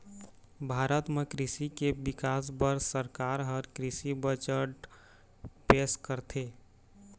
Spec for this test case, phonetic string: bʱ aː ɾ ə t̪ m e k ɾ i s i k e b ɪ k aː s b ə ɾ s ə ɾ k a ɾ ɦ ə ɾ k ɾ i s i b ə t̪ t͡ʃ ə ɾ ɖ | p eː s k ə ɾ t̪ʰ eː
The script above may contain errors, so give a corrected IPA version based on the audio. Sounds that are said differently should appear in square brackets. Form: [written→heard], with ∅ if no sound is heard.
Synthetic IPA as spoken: bʱ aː ɾ ə t̪ m e k ɾ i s i k e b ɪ k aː s b ə ɾ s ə ɾ k a ɾ ɦ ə ɾ k ɾ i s i b ə [t̪→∅] t͡ʃ ə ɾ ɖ | p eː s k ə ɾ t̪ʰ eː